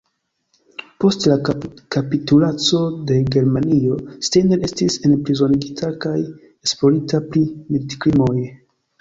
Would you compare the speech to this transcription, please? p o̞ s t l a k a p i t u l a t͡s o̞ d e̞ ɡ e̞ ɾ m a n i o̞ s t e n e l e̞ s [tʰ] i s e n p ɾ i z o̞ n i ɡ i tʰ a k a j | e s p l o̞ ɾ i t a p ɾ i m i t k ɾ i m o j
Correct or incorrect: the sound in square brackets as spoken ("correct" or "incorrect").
incorrect